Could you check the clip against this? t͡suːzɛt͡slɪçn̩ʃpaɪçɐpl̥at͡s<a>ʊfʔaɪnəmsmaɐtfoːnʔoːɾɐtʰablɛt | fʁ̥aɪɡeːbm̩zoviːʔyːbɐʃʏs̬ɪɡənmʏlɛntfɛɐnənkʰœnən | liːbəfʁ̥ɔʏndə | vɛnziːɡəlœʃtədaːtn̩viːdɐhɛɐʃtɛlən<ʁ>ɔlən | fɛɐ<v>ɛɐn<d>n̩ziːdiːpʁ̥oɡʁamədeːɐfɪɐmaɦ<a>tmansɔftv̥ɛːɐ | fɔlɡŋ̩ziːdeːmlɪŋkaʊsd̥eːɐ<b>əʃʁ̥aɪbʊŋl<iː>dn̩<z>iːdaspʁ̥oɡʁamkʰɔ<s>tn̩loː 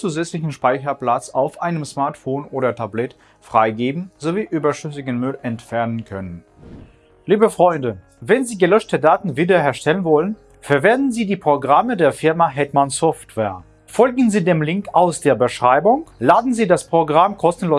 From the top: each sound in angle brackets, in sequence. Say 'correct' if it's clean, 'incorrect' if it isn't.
correct, incorrect, correct, correct, incorrect, correct, incorrect, correct, correct

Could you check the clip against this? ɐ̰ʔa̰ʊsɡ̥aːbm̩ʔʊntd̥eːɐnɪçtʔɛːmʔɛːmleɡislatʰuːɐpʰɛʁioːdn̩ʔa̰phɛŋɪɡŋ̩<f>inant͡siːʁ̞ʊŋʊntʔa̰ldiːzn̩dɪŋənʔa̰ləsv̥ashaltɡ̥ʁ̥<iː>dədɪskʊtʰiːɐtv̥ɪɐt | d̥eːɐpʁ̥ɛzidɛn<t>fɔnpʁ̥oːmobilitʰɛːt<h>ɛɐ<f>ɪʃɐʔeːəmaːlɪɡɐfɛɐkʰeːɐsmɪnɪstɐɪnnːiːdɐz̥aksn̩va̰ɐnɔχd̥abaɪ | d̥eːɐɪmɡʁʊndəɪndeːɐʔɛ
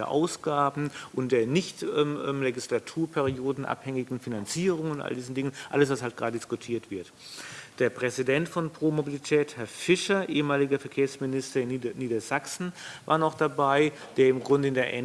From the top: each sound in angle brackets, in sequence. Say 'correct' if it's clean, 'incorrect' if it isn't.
correct, incorrect, correct, correct, correct

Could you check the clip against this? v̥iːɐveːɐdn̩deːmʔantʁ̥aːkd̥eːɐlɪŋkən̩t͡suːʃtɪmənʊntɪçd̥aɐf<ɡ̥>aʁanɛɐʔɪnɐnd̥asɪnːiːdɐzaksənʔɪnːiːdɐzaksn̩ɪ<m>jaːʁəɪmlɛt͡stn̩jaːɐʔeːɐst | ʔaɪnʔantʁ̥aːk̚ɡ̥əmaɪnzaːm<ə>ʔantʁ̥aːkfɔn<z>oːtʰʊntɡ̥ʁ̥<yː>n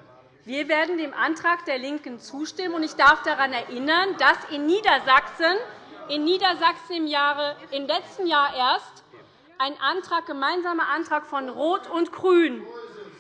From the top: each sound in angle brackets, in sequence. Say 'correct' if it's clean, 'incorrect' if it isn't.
incorrect, correct, incorrect, incorrect, correct

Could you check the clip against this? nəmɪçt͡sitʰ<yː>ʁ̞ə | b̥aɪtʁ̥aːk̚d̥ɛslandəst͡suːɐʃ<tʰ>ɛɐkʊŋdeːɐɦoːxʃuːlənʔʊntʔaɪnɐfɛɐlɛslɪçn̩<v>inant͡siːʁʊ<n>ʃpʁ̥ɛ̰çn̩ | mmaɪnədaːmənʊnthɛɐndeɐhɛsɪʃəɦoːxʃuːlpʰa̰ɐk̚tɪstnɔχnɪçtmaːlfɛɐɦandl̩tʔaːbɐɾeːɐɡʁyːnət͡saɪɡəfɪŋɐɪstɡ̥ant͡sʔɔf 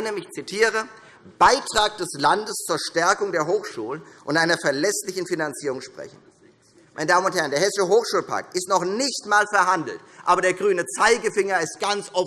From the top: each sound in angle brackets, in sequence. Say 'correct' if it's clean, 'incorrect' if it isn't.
incorrect, incorrect, incorrect, incorrect

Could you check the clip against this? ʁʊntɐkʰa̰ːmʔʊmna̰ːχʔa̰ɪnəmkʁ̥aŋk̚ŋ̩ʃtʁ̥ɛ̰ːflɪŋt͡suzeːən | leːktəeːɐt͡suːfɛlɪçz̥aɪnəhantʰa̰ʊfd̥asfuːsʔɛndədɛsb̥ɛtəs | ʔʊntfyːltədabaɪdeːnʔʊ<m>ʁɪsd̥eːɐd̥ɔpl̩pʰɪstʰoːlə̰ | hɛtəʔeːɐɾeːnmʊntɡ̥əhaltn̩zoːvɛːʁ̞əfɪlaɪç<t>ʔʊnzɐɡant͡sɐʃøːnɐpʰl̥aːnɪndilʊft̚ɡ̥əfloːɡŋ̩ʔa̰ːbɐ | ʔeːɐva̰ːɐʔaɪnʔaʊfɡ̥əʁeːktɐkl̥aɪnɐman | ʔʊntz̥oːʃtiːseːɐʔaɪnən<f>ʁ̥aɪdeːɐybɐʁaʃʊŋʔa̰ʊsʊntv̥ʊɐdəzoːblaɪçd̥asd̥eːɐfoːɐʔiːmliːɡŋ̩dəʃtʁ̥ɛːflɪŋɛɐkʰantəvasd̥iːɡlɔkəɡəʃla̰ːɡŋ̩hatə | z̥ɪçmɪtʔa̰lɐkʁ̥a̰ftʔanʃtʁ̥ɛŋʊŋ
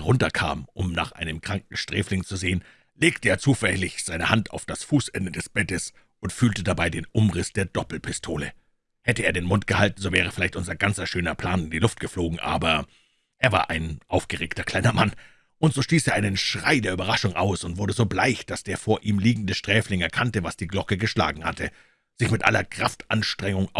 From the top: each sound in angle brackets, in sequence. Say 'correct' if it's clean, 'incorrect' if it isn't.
correct, correct, incorrect

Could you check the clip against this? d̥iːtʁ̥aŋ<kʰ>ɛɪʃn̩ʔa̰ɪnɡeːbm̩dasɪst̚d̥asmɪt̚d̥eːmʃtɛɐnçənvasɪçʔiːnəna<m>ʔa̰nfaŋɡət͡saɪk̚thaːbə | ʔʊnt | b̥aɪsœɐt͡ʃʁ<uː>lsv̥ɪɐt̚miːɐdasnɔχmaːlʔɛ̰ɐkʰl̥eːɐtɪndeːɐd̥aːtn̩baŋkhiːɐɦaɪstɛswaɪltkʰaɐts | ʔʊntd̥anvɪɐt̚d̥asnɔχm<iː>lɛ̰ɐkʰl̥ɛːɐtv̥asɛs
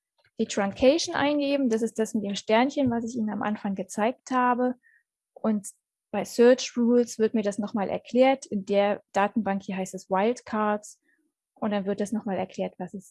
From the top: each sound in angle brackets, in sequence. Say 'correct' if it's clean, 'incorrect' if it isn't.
correct, correct, correct, incorrect

